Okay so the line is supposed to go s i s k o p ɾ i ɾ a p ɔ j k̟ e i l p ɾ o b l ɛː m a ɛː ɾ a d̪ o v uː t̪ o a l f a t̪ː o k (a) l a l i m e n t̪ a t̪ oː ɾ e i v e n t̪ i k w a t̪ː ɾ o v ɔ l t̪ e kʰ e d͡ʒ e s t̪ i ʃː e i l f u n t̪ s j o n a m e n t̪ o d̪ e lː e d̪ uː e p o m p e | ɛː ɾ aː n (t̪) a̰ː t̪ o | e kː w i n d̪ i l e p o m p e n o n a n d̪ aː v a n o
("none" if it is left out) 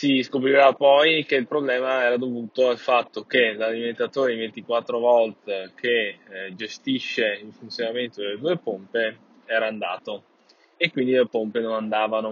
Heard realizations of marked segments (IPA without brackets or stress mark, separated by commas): e, d̪